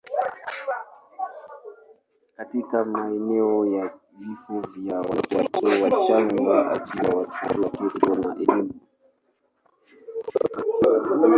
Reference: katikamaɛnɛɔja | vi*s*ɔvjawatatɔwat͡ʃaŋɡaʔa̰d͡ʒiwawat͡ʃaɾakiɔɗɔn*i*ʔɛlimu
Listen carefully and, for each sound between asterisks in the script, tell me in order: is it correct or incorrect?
incorrect: f, incorrect: a

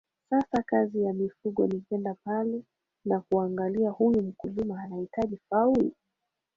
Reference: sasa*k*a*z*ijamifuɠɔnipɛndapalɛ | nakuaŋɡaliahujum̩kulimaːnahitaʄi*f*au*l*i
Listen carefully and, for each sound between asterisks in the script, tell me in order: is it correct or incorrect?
correct, correct, correct, correct

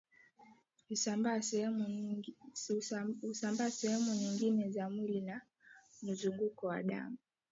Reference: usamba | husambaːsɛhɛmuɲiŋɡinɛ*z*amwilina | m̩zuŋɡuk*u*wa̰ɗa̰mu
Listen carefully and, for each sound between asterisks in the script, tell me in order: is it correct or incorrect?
correct, incorrect: ɔ

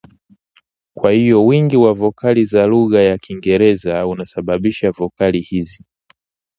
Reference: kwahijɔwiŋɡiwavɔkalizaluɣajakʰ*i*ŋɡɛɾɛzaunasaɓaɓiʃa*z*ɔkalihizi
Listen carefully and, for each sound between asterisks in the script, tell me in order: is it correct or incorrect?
correct, incorrect: v

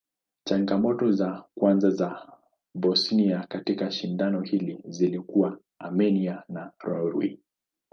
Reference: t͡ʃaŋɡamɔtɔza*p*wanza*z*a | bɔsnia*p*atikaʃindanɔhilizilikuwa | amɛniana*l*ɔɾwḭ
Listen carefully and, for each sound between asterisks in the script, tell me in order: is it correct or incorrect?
incorrect: k, correct, incorrect: k, incorrect: ɾ

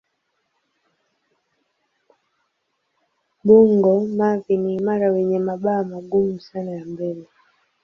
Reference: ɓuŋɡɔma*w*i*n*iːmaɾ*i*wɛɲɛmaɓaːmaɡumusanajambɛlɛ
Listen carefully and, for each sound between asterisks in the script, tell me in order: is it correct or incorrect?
incorrect: v, correct, incorrect: a

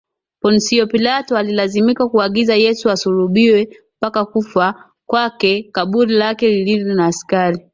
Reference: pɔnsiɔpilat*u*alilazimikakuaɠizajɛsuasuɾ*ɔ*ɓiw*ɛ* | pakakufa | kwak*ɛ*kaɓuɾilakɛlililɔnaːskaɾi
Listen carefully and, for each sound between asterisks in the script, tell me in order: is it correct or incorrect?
incorrect: ɔ, incorrect: u, correct, correct

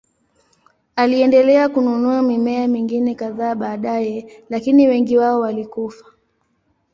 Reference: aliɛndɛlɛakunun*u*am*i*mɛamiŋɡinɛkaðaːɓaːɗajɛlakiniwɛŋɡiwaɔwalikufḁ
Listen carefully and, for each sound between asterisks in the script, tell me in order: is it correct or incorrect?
correct, correct

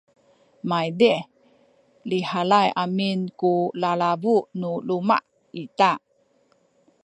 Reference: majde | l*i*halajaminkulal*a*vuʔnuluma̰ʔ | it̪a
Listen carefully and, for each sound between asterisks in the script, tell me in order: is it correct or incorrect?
correct, correct

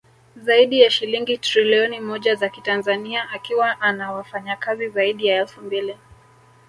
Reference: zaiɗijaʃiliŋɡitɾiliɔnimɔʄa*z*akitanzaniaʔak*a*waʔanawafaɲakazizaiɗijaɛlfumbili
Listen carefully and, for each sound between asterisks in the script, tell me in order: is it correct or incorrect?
correct, incorrect: i

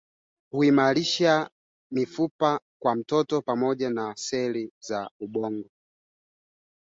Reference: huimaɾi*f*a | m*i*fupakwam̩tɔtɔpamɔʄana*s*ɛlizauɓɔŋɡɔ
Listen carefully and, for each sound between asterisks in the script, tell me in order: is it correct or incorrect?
incorrect: ʃ, correct, correct

